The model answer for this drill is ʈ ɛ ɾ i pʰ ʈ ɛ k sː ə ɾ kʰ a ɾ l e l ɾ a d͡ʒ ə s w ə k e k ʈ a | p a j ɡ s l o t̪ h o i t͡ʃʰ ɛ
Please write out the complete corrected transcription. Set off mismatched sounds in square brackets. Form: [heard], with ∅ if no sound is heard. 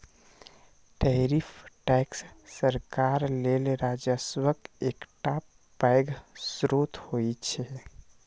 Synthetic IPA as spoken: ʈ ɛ ɾ i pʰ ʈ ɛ k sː ə ɾ [k] a ɾ l e l ɾ a d͡ʒ ə s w ə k e k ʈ a | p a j ɡ s [ɾ] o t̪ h o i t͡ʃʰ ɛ